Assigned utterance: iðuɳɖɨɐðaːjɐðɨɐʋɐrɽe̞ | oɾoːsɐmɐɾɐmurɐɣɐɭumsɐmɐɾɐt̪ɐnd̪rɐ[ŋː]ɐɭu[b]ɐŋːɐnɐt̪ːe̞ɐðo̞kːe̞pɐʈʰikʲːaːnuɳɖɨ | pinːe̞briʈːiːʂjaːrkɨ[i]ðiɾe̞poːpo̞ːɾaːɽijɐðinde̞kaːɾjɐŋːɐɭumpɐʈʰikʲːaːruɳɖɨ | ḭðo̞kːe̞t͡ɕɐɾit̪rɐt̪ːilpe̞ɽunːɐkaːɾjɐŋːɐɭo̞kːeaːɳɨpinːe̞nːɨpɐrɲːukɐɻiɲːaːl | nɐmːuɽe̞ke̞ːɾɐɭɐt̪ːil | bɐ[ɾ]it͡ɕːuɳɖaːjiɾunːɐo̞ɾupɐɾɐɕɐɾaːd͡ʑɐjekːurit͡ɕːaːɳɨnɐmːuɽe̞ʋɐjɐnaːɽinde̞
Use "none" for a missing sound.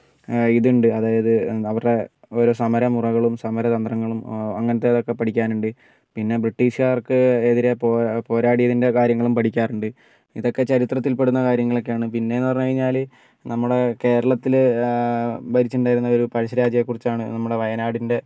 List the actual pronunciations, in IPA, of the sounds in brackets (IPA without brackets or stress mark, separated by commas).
ŋː, m, e, ɾ